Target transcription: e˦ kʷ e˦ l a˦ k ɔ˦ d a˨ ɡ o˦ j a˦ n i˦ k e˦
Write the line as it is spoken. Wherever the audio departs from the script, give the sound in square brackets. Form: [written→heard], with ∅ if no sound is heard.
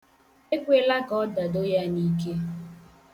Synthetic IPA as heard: e˦ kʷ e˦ l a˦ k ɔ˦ d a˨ [ɡ→d] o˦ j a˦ n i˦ k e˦